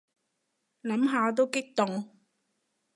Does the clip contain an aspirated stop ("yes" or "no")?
no